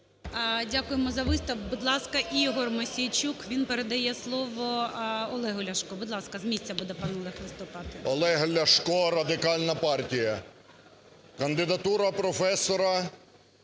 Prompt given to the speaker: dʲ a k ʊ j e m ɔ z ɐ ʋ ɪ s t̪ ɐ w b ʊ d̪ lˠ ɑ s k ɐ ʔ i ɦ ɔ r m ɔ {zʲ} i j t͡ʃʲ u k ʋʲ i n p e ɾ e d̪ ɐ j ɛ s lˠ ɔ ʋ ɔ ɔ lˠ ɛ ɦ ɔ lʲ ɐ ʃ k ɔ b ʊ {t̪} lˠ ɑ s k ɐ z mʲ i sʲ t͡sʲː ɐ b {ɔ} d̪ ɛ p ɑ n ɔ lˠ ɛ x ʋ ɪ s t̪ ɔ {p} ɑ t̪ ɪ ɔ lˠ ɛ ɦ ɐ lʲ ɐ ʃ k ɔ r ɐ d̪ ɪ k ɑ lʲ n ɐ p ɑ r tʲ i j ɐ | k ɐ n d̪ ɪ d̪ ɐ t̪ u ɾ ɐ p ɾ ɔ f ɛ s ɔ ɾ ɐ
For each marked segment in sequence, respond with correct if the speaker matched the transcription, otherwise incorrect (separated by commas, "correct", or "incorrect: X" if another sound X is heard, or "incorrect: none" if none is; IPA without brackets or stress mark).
incorrect: sʲ, incorrect: d̪, incorrect: u, correct